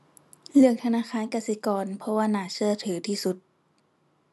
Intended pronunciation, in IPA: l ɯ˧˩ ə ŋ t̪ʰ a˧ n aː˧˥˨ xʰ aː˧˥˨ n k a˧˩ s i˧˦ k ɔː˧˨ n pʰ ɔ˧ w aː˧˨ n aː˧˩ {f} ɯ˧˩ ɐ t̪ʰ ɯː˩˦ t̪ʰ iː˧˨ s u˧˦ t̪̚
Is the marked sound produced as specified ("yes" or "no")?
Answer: no